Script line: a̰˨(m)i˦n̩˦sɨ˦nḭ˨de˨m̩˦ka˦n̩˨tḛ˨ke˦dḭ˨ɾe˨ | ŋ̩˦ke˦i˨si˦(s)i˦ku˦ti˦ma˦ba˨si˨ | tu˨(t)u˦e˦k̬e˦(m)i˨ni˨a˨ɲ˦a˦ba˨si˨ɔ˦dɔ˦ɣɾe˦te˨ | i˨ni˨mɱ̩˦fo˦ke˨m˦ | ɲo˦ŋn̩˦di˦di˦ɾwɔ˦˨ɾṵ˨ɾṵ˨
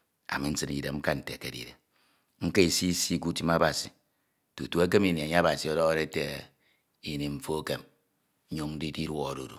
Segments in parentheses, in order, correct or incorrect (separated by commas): correct, correct, correct, correct